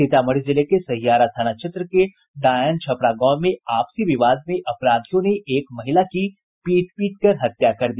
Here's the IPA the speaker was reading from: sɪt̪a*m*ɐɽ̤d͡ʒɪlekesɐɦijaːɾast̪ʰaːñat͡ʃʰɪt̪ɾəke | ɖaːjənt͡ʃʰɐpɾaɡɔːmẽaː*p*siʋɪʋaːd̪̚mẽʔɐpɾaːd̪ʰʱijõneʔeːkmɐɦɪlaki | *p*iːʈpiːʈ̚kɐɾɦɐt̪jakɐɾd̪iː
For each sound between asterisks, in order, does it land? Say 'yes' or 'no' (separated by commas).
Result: yes, yes, yes